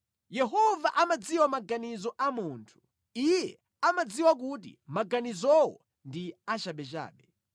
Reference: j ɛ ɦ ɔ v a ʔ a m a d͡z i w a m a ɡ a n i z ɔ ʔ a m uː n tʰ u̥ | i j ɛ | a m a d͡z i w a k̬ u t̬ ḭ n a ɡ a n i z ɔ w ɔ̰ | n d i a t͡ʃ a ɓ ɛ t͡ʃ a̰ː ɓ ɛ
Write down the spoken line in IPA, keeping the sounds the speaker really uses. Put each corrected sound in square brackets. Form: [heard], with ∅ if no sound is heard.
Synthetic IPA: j ɛ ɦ ɔ v a ʔ a m a d͡z i w a m a ɡ a n i z ɔ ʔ a m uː n tʰ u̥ | i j ɛ | a m a d͡z i w a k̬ u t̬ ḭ [m] a ɡ a n i z ɔ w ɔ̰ | n d i a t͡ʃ a ɓ ɛ t͡ʃ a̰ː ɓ ɛ